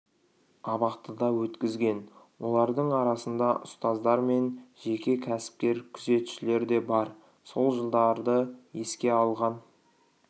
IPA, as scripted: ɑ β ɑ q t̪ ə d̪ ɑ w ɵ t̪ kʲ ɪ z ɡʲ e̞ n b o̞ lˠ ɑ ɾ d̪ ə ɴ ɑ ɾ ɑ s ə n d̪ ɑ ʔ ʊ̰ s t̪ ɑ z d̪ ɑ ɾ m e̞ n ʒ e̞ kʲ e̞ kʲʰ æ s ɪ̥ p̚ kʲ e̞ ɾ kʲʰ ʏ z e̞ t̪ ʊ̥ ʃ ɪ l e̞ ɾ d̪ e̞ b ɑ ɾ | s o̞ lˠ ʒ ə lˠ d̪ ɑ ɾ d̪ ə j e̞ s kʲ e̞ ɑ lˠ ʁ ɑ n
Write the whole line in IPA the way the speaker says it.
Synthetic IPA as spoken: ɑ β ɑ q t̪ ə d̪ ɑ w ɵ t̪ kʲ ɪ z ɡʲ e̞ n w o̞ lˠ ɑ ɾ d̪ ə ɴ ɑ ɾ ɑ s ə n d̪ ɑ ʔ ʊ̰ s t̪ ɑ z d̪ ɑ ɾ m e̞ n ʒ e̞ kʲ e̞ kʲʰ æ s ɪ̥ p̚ kʲ e̞ ɾ kʲʰ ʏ z e̞ t̪ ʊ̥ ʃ ɪ l e̞ ɾ d̪ e̞ b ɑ ɾ | s o̞ lˠ ʒ ə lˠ d̪ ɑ ɾ d̪ ə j e̞ s kʲ e̞ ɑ lˠ ʁ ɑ n